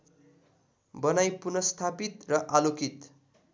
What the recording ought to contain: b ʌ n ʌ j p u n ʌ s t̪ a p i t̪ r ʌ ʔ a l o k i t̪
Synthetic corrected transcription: b ʌ n a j p u n ʌ s t̪ʰ a p i t̪ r ʌ ʔ a l o k i t̪